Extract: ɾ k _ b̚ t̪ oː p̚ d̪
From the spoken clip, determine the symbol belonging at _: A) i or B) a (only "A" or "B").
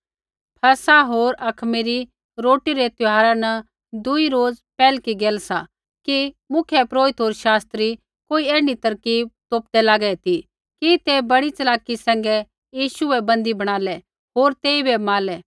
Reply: A